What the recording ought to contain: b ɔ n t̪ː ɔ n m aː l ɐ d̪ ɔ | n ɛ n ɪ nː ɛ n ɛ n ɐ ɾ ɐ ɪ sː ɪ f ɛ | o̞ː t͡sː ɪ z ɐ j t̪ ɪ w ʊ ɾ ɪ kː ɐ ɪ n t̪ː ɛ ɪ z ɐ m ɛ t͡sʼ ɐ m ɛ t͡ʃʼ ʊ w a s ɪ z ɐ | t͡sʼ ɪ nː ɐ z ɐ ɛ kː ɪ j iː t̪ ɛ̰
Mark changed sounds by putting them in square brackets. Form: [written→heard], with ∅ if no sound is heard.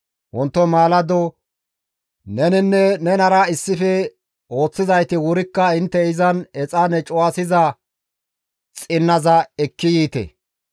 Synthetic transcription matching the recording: [b→w] ɔ n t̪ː ɔ [n→∅] m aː l ɐ d̪ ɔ | n ɛ n ɪ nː ɛ n ɛ n ɐ ɾ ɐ ɪ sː ɪ f ɛ | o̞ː t͡sː ɪ z ɐ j t̪ ɪ w ʊ ɾ ɪ kː ɐ ɪ n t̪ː ɛ ɪ z ɐ [m→n] ɛ t͡sʼ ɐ [m→n] ɛ t͡ʃʼ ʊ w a s ɪ z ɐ | t͡sʼ ɪ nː ɐ z ɐ ɛ kː ɪ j iː t̪ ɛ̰